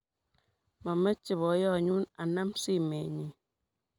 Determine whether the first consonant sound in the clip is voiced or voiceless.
voiced